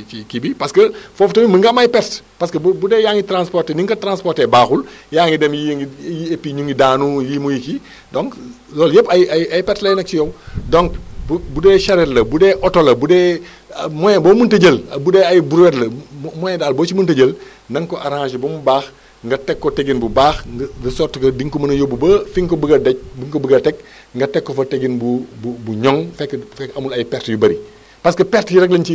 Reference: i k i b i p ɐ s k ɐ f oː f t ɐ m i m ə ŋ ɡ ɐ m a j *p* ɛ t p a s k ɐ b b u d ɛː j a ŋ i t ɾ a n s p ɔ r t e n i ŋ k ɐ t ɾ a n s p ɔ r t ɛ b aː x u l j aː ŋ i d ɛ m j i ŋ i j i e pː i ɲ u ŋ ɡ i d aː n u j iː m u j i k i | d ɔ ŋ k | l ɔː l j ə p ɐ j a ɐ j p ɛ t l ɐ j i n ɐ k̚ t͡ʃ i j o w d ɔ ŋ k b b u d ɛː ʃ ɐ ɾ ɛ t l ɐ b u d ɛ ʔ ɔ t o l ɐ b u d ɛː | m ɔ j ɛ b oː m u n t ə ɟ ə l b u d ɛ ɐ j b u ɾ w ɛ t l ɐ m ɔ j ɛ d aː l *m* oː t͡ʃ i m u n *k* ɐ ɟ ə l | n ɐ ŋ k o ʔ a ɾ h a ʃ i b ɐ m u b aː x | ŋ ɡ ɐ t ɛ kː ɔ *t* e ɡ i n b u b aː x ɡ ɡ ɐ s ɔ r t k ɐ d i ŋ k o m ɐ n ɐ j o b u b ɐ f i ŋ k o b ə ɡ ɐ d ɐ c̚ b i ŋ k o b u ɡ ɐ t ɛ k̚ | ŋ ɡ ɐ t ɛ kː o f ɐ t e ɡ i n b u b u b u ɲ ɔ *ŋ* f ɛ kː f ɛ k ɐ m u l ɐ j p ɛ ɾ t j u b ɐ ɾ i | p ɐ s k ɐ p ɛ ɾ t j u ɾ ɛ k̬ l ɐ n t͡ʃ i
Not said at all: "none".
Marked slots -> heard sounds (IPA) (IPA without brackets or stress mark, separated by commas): p, b, t, t, ŋ